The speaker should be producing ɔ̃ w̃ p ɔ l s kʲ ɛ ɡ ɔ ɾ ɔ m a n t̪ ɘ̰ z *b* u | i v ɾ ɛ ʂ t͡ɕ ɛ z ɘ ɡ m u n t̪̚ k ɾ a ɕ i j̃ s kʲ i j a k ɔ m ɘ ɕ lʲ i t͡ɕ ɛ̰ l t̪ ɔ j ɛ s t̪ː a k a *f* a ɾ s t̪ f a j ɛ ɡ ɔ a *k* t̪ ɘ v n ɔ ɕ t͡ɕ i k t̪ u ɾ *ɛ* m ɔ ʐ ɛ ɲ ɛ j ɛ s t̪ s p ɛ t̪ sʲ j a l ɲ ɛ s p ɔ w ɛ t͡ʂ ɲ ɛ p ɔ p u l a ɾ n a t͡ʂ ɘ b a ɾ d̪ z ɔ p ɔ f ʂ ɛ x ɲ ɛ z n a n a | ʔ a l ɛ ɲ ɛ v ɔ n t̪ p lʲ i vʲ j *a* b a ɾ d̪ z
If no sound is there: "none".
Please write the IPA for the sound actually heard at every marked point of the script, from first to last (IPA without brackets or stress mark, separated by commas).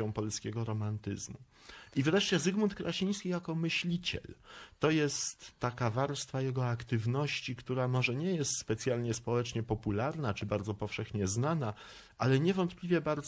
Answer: m, v, k, a, ɛ